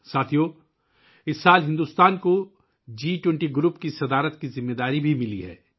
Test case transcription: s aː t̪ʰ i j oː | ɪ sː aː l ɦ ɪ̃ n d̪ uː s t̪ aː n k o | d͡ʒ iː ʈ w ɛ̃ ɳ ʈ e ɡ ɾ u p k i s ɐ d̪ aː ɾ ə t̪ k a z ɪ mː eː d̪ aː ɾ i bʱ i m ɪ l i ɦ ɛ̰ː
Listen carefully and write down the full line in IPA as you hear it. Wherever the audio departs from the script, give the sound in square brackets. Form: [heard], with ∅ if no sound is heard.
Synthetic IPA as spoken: s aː t̪ʰ i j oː | ɪ sː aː l ɦ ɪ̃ n d̪ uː s t̪ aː n k o | d͡ʒ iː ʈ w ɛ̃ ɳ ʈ [i] ɡ ɾ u p k i s ɐ d̪ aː ɾ ə t̪ k [i] z ɪ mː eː d̪ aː ɾ i bʱ i m ɪ l i ɦ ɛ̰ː